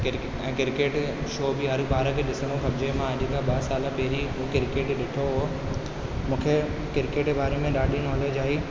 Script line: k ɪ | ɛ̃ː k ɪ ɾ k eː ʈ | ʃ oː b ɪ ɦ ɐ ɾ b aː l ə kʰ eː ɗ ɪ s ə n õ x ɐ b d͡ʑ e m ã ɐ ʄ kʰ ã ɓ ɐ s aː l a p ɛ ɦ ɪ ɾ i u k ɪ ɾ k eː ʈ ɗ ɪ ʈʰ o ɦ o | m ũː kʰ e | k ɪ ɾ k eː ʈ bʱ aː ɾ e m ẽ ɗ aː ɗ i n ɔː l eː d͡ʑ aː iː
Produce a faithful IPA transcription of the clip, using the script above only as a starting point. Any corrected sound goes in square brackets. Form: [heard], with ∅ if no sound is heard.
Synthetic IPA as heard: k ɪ | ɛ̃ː k ɪ ɾ k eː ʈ | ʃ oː b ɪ ɦ ɐ ɾ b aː [ɾ] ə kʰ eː ɗ ɪ s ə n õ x ɐ b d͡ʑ e m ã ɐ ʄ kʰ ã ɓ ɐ s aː l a p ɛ ɦ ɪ ɾ i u k ɪ ɾ k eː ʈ ɗ ɪ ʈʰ o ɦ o | m ũː kʰ e | k ɪ ɾ k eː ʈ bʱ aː ɾ e m ẽ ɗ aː ɗ i n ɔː l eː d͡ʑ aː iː

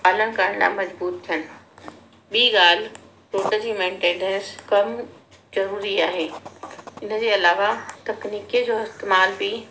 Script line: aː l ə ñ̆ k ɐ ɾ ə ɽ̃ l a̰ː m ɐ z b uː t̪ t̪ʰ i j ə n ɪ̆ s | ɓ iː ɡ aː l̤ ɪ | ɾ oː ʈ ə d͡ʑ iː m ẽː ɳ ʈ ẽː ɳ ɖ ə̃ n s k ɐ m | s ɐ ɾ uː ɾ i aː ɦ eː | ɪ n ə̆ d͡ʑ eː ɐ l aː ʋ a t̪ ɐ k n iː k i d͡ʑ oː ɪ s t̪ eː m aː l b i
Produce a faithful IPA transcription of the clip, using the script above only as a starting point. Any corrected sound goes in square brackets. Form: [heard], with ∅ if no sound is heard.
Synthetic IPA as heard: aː l ə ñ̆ k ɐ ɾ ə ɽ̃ l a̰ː m ɐ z b uː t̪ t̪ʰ i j ə n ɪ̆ [∅] | ɓ iː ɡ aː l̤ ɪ | ɾ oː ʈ ə d͡ʑ iː m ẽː ɳ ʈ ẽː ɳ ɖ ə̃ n s k ɐ m | [z] ɐ ɾ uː ɾ i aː ɦ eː | ɪ n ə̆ d͡ʑ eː ɐ l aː ʋ a t̪ ɐ k n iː k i d͡ʑ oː ɪ s t̪ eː m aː l b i

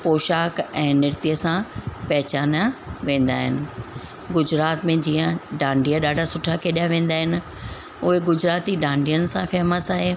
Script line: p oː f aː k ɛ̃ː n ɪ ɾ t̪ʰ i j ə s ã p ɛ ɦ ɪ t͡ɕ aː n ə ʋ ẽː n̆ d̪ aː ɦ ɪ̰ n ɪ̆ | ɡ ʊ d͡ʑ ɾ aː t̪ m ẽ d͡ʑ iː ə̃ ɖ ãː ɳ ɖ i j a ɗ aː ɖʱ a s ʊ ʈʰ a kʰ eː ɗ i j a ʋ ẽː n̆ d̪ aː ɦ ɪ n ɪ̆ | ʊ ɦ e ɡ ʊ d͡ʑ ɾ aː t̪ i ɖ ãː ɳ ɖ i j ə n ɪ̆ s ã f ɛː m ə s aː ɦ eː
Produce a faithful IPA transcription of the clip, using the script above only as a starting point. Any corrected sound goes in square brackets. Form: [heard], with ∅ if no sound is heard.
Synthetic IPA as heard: p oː [ʃ] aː k ɛ̃ː n ɪ ɾ [t̪] i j ə s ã p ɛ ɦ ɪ t͡ɕ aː n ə ʋ ẽː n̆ d̪ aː ɦ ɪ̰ n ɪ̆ | ɡ ʊ d͡ʑ ɾ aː t̪ m ẽ d͡ʑ iː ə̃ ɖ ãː ɳ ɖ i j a ɗ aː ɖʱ a s ʊ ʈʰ a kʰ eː ɗ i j a ʋ ẽː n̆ d̪ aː ɦ ɪ n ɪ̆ | ʊ ɦ e ɡ ʊ d͡ʑ ɾ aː t̪ i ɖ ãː ɳ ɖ i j ə n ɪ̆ s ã f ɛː m ə s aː ɦ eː

